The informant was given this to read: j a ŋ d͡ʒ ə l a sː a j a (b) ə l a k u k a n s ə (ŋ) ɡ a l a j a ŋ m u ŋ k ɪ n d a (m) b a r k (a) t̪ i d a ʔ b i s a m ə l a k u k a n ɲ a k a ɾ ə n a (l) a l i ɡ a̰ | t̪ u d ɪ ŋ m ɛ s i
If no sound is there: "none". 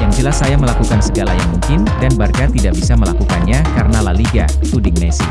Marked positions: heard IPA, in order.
m, none, n, a, l

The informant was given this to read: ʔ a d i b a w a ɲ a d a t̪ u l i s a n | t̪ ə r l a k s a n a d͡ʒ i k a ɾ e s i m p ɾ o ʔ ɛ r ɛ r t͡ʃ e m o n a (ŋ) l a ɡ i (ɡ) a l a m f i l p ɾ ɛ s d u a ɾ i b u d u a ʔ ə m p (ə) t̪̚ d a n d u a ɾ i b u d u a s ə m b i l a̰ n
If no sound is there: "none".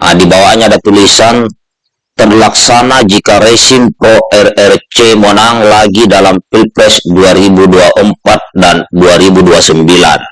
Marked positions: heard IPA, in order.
ŋ, d, a

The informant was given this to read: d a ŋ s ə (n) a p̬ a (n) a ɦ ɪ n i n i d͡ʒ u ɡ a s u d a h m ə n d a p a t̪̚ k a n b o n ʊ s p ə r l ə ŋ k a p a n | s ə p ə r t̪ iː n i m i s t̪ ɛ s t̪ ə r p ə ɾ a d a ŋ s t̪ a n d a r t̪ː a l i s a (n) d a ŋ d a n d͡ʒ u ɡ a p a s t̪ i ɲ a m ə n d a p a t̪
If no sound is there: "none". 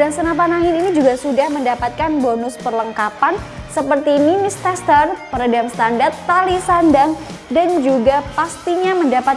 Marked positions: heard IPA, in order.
n, n, n

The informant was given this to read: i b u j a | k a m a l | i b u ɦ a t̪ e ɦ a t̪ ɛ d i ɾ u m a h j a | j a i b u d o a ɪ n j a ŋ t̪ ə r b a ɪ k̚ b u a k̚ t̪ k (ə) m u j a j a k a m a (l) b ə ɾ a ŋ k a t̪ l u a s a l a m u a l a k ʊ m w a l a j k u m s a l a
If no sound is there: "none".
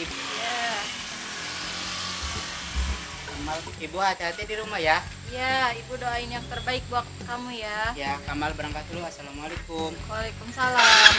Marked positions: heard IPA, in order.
a, l

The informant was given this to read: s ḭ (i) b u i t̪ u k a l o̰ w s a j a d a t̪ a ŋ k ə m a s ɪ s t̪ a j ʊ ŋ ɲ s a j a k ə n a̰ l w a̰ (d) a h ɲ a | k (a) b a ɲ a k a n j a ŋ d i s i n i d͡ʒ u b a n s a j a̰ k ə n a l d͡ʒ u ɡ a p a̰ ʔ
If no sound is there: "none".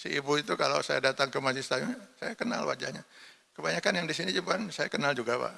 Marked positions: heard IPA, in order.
i, d͡ʒ, ə

